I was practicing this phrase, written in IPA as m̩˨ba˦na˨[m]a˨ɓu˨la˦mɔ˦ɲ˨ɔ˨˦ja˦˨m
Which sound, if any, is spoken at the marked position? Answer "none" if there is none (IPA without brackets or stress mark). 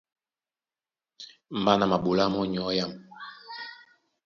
m